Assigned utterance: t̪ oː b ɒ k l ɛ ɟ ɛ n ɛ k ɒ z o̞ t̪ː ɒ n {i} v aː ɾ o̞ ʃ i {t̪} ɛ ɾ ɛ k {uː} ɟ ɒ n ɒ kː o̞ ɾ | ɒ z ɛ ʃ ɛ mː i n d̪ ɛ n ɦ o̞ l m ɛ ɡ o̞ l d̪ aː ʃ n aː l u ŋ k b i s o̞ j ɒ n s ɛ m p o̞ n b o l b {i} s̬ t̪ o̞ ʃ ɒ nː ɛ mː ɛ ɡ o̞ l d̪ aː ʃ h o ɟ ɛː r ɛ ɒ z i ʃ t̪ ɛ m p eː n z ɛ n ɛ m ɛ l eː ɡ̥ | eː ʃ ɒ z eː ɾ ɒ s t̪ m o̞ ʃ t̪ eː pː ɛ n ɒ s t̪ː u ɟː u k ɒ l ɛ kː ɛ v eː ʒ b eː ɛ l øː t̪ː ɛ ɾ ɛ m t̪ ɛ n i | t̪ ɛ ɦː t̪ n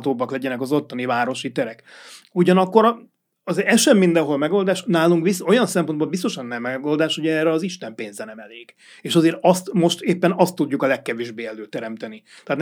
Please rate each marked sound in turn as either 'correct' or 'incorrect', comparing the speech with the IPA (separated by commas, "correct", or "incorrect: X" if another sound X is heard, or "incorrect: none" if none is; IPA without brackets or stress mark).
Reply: correct, correct, incorrect: u, correct